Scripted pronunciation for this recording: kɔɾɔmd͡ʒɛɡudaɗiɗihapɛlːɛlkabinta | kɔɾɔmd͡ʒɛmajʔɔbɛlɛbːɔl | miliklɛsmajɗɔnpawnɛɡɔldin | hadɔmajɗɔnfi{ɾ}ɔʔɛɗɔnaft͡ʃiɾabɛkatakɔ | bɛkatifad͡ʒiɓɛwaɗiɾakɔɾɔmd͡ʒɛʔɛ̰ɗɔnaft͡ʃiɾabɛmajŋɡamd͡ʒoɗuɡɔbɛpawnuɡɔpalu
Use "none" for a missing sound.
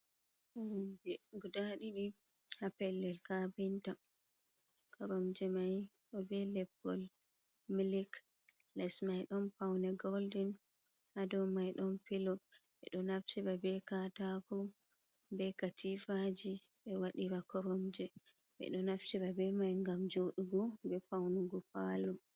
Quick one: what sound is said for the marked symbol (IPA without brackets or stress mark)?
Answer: l